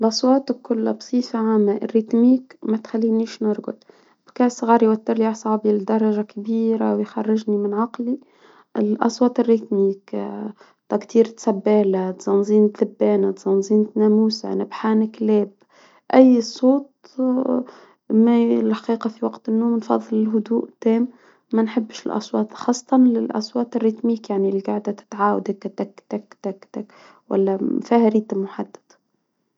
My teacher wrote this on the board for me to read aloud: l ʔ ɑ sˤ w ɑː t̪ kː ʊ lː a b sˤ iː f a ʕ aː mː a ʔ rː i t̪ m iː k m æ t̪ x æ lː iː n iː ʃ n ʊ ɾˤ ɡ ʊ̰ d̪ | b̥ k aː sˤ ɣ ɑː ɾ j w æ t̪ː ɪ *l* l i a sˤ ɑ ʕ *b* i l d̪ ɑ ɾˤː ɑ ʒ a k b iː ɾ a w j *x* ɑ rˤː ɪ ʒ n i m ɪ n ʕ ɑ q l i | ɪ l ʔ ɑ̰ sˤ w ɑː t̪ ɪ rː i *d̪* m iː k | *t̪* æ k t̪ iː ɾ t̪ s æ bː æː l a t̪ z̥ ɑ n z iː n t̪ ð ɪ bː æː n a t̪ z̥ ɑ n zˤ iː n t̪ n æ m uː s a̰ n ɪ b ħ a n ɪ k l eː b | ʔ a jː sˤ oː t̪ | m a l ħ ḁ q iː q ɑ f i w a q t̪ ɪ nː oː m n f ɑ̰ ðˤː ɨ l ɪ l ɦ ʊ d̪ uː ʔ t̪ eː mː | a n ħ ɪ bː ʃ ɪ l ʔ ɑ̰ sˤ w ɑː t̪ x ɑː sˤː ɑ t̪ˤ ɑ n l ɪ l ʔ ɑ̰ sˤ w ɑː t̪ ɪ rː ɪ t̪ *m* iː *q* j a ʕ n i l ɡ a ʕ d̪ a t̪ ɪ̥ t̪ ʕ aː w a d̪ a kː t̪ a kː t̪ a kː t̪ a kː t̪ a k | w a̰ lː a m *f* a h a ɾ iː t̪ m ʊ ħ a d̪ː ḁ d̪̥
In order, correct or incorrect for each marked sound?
incorrect, correct, correct, incorrect, correct, correct, incorrect, correct

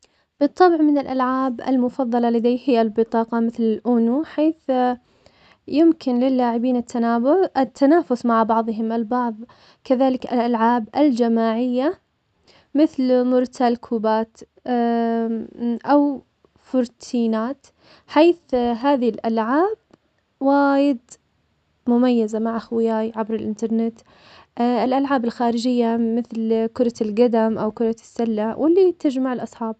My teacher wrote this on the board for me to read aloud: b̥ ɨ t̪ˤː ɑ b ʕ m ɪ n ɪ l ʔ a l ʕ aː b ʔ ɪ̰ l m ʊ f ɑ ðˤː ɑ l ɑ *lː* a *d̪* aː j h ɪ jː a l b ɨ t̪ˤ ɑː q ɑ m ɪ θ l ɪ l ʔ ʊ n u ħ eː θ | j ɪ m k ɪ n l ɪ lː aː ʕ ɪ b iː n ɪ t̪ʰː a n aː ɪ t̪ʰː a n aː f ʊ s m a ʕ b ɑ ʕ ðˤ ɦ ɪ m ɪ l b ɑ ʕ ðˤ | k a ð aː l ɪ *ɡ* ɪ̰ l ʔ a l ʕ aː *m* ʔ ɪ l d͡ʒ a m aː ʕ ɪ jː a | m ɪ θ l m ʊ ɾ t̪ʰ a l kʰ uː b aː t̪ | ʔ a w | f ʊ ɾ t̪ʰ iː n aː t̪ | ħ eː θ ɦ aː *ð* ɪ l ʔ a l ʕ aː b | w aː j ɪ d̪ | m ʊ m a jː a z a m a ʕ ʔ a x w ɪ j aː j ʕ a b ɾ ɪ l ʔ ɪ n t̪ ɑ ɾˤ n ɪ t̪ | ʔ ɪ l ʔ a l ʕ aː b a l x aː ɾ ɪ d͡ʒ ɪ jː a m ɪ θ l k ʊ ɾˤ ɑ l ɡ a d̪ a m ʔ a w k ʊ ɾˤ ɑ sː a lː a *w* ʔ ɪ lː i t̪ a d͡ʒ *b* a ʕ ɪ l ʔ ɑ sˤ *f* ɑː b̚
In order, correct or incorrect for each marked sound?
incorrect, correct, incorrect, incorrect, correct, correct, incorrect, incorrect

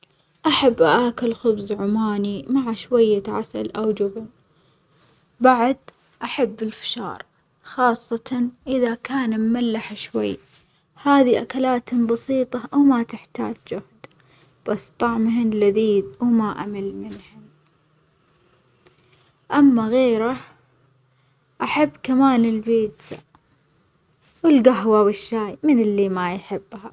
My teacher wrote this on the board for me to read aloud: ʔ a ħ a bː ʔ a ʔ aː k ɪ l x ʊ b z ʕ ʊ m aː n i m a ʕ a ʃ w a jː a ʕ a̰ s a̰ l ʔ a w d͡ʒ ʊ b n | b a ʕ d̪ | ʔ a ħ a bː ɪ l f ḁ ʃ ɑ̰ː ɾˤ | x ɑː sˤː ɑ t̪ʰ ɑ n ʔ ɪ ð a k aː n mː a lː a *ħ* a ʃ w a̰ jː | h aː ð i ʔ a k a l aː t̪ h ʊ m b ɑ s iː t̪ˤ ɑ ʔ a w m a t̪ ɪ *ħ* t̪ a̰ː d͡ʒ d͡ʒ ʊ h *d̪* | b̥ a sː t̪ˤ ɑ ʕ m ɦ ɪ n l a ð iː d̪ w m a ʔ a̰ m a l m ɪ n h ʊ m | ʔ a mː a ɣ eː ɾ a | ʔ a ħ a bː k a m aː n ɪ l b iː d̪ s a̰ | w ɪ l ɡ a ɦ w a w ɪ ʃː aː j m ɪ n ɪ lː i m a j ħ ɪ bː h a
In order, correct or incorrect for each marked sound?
correct, correct, correct

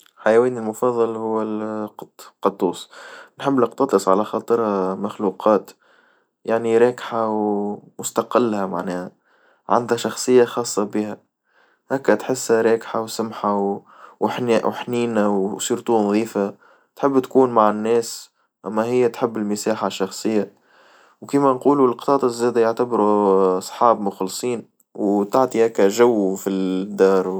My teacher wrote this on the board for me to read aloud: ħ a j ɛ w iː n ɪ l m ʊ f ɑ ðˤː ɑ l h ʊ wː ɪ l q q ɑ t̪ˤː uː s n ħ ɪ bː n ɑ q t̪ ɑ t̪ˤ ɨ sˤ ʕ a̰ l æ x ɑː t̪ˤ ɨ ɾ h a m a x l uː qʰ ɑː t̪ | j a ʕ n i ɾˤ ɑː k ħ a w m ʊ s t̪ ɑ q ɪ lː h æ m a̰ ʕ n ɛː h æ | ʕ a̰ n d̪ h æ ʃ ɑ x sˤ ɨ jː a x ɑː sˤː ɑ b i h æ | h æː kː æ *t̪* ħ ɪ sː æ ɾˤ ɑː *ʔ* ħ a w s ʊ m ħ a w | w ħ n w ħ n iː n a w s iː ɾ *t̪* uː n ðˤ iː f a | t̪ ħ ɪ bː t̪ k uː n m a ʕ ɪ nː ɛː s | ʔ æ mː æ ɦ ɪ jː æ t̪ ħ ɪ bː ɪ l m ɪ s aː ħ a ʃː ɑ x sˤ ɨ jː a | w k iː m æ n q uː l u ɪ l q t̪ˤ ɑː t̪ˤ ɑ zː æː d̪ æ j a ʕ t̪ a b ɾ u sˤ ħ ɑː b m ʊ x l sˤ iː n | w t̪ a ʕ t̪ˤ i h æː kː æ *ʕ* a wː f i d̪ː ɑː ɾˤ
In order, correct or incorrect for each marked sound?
correct, incorrect, correct, incorrect

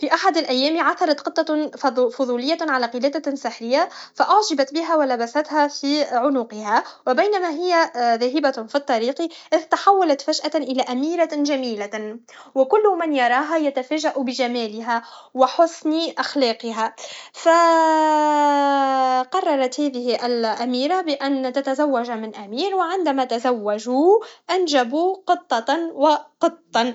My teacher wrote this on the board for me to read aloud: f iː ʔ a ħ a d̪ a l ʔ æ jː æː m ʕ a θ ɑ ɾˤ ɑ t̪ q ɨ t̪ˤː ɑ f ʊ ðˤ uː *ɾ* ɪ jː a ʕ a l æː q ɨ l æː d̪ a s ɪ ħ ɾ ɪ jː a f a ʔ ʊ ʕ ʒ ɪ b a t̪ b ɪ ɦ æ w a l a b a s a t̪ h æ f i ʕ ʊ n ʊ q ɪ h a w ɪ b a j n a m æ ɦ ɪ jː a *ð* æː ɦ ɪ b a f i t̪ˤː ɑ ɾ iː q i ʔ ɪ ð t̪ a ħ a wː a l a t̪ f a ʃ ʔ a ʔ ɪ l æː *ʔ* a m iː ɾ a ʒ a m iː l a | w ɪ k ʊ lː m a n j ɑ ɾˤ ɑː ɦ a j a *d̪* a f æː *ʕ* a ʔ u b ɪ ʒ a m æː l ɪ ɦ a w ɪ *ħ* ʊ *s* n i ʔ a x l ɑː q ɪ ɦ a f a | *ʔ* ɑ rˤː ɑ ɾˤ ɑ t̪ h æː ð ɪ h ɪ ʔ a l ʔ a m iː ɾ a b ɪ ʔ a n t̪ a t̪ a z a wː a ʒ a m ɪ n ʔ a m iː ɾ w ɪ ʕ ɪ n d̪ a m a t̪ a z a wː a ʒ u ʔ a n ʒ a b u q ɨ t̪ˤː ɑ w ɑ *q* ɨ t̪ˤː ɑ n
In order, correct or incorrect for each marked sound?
incorrect, correct, correct, incorrect, incorrect, correct, correct, incorrect, correct

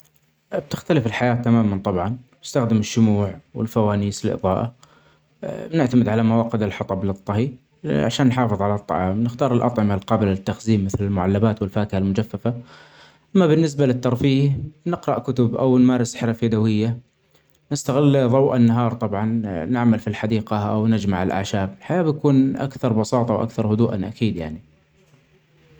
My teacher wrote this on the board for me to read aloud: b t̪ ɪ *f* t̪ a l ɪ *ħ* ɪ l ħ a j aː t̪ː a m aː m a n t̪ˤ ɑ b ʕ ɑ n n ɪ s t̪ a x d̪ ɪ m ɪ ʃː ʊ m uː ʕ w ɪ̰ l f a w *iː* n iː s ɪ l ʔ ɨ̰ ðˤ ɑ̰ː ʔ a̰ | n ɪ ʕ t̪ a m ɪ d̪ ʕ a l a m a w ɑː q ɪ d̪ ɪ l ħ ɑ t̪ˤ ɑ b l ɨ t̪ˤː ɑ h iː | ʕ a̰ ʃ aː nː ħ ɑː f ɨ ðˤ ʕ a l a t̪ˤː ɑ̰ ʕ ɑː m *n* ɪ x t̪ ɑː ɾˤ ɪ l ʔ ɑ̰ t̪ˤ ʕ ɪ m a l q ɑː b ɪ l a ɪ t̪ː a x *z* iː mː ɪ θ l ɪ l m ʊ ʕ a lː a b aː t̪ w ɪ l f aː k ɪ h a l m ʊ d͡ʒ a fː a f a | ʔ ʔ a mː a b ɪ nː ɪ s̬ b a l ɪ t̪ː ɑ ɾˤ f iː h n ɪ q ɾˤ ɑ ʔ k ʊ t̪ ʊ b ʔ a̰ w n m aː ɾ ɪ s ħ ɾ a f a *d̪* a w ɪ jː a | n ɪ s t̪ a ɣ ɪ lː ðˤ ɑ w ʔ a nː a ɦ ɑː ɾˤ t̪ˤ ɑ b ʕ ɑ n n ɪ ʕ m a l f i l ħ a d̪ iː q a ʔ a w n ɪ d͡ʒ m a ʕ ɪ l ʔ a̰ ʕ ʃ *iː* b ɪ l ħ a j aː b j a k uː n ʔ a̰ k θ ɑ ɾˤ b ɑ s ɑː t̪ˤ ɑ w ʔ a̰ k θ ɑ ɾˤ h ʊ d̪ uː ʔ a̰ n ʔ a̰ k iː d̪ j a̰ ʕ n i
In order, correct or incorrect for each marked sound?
incorrect, incorrect, incorrect, correct, correct, correct, incorrect

